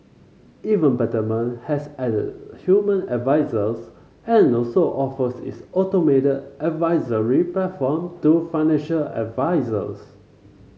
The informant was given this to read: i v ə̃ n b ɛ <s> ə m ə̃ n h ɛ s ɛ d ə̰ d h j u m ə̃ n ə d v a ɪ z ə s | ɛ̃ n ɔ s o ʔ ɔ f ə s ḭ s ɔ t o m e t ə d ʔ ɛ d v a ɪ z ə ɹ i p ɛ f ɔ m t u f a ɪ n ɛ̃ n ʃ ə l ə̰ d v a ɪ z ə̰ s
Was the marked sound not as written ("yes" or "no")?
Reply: yes